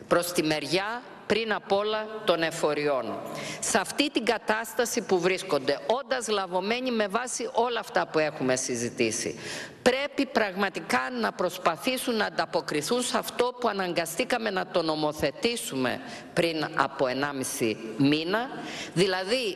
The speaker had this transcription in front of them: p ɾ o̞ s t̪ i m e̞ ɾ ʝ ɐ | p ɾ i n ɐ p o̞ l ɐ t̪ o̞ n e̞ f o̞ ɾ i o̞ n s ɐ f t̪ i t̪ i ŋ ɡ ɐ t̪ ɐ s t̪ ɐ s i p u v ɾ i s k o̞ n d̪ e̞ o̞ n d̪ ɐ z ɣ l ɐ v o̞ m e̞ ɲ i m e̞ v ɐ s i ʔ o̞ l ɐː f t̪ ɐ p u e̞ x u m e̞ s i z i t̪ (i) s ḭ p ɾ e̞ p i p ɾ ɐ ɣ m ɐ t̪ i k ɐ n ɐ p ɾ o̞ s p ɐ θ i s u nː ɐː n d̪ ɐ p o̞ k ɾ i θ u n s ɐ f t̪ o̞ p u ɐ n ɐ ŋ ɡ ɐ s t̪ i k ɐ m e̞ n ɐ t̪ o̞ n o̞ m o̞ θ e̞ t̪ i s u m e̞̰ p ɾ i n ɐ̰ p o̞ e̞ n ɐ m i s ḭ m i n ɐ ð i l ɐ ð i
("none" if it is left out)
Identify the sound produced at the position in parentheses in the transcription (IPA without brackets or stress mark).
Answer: i